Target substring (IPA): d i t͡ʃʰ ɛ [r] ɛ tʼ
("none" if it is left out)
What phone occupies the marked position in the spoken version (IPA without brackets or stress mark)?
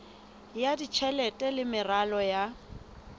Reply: l